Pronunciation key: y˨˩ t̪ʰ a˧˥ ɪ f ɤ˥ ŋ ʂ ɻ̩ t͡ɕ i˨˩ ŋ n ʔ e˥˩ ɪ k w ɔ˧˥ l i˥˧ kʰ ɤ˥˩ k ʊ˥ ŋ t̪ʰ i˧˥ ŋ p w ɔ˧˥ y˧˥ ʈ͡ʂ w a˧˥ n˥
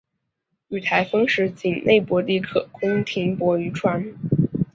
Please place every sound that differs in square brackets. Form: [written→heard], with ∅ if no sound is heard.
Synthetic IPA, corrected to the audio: y˨˩ t̪ʰ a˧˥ ɪ f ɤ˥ ŋ ʂ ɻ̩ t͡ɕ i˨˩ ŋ n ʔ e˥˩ ɪ [k→p] w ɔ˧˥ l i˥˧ kʰ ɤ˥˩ k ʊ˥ ŋ t̪ʰ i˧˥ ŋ p w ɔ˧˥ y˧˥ [ʈ͡ʂ→ʈ͡ʂʰ] w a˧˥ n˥